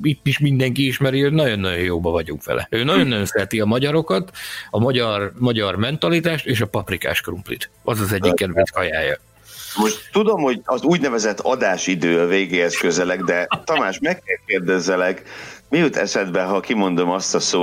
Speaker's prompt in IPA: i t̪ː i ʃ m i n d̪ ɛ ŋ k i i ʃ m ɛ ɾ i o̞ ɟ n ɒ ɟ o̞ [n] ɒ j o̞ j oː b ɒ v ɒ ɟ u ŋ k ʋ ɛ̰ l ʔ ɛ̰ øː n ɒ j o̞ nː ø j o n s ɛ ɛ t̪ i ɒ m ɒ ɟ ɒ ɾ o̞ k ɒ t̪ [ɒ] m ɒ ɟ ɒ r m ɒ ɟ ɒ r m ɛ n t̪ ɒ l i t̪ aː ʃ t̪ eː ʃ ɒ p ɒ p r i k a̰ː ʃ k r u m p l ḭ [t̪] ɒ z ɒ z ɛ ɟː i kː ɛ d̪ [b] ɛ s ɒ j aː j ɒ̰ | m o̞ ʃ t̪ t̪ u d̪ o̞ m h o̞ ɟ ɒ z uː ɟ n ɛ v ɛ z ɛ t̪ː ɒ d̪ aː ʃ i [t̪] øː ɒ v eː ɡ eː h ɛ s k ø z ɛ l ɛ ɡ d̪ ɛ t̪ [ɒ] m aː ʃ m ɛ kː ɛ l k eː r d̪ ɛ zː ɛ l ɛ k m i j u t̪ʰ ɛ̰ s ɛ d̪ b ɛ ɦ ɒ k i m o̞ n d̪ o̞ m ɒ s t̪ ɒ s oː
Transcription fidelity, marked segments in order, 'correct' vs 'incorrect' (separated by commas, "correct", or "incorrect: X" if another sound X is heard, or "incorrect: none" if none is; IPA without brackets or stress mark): incorrect: nː, correct, correct, incorrect: v, incorrect: d̪, correct